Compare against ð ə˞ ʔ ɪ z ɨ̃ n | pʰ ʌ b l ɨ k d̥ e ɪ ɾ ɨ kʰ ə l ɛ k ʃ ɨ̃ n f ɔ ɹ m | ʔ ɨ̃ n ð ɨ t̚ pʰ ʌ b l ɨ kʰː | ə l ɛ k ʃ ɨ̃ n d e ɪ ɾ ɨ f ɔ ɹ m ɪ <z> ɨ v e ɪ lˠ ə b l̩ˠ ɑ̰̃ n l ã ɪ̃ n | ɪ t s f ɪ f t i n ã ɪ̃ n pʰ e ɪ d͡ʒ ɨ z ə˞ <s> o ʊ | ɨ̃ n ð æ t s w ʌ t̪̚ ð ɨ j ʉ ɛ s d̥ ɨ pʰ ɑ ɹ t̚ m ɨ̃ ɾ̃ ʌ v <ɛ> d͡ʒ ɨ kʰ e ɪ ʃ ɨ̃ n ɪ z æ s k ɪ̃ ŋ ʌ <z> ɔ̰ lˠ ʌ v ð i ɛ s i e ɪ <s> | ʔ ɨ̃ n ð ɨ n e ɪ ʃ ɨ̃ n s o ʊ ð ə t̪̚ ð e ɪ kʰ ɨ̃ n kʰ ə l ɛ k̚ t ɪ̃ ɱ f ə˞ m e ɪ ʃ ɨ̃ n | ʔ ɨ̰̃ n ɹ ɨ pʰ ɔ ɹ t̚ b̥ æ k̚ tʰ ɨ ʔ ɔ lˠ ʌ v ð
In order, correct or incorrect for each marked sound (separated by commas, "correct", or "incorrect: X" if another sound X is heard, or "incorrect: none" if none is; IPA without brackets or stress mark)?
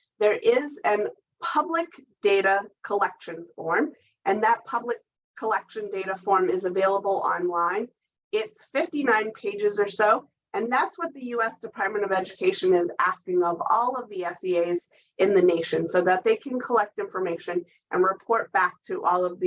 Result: correct, correct, correct, incorrect: v, incorrect: z